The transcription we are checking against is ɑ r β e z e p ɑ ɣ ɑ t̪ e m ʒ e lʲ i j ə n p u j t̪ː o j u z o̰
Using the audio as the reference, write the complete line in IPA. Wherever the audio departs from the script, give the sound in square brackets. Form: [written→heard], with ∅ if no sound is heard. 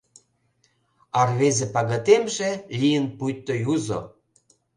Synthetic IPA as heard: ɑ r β e z e p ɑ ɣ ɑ t̪ e m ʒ e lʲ i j ə n p u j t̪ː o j u z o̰

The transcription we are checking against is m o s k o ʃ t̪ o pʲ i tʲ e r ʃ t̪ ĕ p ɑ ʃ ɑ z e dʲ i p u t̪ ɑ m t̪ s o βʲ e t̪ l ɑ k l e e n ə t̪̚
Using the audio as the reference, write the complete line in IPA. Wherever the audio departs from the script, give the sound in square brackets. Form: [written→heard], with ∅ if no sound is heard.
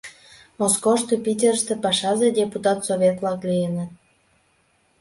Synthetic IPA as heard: m o s k o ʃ t̪ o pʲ i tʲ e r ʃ t̪ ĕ p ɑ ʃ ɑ z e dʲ [i→e] p u t̪ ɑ [m→∅] t̪ s o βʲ e t̪ l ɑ k l [e→i] e n ə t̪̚

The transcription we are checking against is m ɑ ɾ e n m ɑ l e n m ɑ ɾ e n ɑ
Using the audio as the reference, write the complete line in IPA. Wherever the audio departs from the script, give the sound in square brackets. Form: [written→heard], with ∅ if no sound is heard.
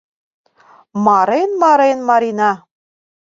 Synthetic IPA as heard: m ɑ ɾ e n m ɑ [l→ɾ] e n m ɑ ɾ [e→i] n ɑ

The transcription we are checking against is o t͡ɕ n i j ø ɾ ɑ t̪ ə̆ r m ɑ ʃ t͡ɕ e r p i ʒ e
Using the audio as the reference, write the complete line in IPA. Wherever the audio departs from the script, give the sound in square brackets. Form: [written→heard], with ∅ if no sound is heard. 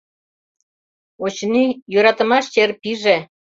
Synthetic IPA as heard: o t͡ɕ n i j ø ɾ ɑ t̪ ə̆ [r→∅] m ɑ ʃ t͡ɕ e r p i ʒ e

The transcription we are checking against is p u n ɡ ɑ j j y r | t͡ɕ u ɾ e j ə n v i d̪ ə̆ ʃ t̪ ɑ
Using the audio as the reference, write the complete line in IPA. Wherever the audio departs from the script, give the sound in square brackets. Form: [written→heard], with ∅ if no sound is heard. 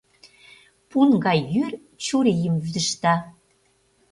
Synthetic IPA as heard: p u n ɡ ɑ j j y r | t͡ɕ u ɾ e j ə [n→m] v [i→y] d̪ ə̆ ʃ t̪ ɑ

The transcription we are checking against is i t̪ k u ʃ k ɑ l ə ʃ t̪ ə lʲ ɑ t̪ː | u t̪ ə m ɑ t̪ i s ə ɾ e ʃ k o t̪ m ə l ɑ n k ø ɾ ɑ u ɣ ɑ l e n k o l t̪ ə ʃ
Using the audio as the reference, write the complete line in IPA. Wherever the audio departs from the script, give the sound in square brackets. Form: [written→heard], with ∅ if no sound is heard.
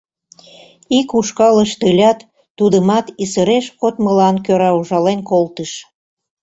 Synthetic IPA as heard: i [t̪→∅] k u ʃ k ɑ l ə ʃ t̪ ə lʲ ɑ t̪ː | u [t̪→d̪] ə m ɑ t̪ i s ə ɾ e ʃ k o t̪ m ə l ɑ n k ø ɾ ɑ u [ɣ→ʒ] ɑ l e n k o l t̪ ə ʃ

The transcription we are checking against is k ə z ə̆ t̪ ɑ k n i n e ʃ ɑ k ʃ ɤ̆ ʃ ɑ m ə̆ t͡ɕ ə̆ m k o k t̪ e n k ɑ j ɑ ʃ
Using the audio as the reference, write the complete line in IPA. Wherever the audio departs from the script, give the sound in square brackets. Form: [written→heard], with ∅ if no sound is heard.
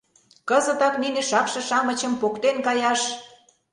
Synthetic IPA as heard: k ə z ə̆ t̪ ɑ k n i n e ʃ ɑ k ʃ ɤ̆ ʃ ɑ m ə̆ t͡ɕ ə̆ m [k→p] o k t̪ e n k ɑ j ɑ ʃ

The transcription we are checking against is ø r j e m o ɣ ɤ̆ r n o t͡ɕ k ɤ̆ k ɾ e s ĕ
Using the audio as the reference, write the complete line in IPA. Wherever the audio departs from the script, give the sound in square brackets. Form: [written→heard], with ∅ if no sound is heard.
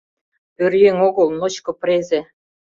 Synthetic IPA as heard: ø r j e [m→ŋ] o ɣ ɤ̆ [r→l] n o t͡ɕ k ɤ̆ [k→p] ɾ e [s→z] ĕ

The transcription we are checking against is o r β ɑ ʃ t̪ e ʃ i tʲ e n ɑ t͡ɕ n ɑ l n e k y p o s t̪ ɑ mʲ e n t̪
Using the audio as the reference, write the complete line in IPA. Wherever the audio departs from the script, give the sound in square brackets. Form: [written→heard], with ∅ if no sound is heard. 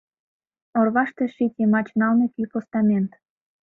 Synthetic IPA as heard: o r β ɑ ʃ t̪ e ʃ i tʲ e [n→m] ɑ t͡ɕ n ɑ l n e k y p o s t̪ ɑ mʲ e n t̪

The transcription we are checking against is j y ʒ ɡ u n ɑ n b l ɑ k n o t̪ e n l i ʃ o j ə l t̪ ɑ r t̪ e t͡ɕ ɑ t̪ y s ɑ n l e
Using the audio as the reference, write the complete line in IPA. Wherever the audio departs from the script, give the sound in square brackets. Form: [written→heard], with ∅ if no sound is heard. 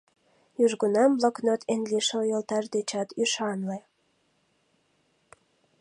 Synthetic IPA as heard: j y ʒ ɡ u n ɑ [n→m] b l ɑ k n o t̪ e n l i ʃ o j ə l t̪ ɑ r [t̪→d̪] e t͡ɕ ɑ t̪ y [s→ʃ] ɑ n l e

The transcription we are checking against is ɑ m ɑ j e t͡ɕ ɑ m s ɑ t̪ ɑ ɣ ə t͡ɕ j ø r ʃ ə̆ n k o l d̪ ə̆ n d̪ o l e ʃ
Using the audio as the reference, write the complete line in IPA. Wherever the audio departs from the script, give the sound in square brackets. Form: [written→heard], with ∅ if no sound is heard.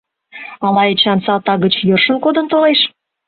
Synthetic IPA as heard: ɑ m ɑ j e t͡ɕ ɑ [m→n] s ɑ t̪ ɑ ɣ ə t͡ɕ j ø r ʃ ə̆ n k o [l→∅] d̪ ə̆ n [d̪→t̪] o l e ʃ

